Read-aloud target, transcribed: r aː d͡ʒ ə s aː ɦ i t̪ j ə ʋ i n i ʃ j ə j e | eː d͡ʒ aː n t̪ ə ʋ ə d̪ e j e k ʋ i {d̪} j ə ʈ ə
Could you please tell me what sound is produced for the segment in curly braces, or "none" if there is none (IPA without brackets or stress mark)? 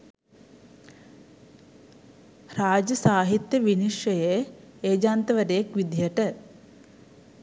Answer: d̪